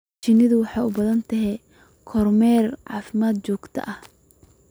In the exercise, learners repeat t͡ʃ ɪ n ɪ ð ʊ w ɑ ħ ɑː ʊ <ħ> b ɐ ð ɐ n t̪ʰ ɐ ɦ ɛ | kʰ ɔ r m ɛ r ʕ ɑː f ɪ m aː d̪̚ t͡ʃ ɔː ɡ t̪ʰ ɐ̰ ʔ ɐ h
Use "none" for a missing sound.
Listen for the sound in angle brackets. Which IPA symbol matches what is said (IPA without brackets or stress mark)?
none